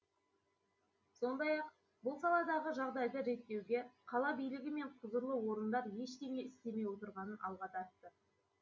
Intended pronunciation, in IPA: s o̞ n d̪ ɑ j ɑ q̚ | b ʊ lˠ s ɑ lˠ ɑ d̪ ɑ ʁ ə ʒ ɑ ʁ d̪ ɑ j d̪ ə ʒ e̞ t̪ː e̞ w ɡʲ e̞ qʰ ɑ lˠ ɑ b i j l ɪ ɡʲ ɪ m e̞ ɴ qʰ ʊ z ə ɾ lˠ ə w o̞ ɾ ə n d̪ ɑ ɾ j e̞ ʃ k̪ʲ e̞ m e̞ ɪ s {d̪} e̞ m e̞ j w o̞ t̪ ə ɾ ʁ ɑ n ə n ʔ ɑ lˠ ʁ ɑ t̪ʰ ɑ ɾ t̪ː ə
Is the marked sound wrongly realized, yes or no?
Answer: yes